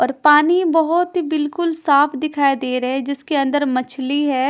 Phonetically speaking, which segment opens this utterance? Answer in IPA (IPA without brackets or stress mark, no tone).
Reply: ɔː